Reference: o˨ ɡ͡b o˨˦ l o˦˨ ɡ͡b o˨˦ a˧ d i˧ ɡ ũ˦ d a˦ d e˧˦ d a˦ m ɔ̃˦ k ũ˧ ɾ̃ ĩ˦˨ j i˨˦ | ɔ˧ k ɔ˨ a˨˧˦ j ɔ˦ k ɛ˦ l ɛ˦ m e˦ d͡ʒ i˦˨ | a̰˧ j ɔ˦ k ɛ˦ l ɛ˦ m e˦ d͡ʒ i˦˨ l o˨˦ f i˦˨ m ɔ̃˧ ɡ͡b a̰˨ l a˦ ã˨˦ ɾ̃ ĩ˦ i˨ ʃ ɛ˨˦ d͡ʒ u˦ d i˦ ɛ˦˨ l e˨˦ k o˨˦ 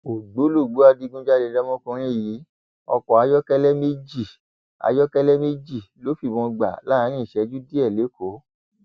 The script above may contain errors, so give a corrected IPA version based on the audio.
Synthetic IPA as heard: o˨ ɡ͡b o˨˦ l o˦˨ ɡ͡b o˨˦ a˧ d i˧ ɡ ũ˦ d͡ʒ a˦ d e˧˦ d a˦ m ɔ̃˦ k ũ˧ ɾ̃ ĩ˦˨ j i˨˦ | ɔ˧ k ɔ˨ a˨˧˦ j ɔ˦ k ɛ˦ l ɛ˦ m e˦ d͡ʒ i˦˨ | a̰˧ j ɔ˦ k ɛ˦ l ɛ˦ m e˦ d͡ʒ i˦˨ l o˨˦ f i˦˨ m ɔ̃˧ ɡ͡b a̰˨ l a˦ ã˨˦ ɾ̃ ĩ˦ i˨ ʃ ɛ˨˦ d͡ʒ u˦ d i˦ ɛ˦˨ l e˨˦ k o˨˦

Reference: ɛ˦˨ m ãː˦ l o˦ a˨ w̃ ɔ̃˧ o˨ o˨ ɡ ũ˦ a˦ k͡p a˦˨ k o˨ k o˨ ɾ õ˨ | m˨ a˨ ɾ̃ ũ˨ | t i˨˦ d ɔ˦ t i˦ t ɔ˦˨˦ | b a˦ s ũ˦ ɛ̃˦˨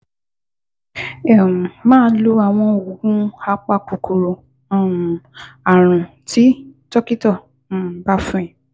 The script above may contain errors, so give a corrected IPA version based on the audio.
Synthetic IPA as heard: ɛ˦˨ m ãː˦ l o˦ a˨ w̃ ɔ̃˧ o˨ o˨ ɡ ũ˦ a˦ k͡p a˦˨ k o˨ k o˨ ɾ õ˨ | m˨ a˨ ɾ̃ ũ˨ | t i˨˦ t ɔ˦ k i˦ t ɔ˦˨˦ | b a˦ f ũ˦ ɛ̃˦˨

